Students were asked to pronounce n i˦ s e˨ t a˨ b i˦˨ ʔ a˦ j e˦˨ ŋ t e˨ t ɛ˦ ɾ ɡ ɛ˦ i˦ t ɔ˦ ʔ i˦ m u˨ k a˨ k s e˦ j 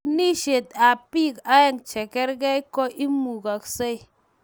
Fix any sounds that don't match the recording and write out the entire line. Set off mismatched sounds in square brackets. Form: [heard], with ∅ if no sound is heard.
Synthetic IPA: n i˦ [ʃ] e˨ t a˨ [p] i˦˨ [k] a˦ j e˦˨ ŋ [t͡ʃ] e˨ [k] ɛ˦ ɾ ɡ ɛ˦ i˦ [k] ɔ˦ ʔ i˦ m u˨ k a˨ k s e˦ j